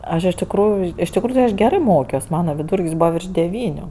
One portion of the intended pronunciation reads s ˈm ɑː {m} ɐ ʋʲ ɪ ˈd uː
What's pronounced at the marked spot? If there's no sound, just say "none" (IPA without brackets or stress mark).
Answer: n